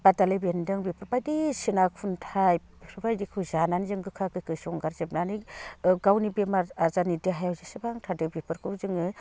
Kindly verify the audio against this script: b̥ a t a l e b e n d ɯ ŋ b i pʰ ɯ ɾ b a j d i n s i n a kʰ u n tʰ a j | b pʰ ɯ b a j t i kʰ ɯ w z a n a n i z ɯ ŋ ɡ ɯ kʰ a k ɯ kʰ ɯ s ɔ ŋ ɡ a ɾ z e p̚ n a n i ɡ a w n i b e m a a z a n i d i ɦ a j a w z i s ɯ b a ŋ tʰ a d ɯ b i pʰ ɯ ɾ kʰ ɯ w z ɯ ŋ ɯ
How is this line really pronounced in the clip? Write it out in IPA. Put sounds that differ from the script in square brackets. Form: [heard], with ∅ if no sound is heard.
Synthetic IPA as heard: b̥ a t a l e b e n d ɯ ŋ b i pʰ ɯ ɾ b a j d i [∅] s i n a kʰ u n tʰ a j | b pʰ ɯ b a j [d] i kʰ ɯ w z a n a n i z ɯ ŋ ɡ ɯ kʰ a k ɯ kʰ ɯ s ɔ ŋ ɡ a ɾ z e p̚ n a n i ɡ a w n i b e m a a z a n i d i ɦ a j a w z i s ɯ b a ŋ tʰ a d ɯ b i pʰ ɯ ɾ kʰ ɯ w z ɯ ŋ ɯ